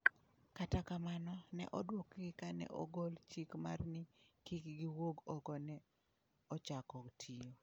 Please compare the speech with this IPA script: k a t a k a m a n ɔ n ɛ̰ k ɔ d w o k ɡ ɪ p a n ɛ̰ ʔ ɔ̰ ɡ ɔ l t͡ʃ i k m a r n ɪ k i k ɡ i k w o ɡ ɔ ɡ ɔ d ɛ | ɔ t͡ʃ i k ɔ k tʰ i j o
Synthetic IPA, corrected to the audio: k a t a k a m a n ɔ n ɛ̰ ʔ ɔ d w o k ɡ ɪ k a n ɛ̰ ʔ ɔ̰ ɡ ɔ l t͡ʃ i k m a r n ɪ k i k ɡ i w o ɡ ɔ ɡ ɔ n ɛ | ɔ t͡ʃ a k ɔ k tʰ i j o